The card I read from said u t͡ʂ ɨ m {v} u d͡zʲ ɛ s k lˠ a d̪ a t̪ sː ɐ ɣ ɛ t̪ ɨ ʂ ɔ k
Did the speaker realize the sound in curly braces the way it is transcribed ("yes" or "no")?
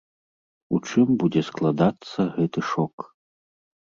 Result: no